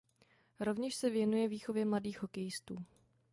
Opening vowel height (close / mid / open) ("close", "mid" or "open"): mid